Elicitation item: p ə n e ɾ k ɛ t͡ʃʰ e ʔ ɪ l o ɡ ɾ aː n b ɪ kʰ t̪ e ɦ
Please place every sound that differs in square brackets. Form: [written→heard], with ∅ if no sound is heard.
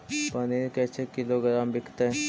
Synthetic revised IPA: p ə n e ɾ k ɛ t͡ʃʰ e [ʔ→k] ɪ l o ɡ ɾ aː [n→m] b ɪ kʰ t̪ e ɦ